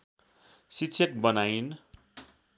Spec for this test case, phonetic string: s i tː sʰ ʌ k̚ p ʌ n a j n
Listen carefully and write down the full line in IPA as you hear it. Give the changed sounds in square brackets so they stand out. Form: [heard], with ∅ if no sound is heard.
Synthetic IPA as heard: s i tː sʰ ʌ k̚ [b] ʌ n a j n